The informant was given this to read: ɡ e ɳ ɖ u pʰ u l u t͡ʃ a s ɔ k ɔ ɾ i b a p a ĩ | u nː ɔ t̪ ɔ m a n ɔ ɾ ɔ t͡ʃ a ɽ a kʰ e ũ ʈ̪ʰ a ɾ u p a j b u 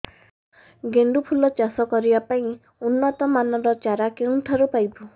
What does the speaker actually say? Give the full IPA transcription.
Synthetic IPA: ɡ e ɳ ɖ u pʰ u l ɔ t͡ʃ a s ɔ k ɔ ɾ i b a p a ĩ | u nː ɔ t̪ ɔ m a n ɔ ɾ ɔ t͡ʃ a ɾ a k e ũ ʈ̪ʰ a ɾ u p a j b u